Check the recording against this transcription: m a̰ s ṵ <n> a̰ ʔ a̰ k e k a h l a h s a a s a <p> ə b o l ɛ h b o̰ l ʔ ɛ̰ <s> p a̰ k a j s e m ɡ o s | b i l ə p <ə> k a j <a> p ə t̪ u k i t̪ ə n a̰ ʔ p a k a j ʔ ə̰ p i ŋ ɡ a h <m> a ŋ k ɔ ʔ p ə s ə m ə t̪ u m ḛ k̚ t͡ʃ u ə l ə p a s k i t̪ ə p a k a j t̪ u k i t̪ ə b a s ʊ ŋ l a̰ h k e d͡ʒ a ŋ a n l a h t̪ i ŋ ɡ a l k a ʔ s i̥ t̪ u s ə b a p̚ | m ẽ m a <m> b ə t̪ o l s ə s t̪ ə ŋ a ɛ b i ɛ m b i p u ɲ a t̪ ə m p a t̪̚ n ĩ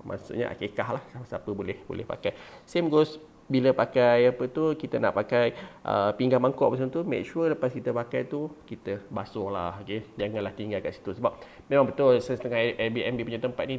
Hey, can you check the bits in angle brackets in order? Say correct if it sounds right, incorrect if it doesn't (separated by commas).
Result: incorrect, correct, incorrect, incorrect, correct, correct, incorrect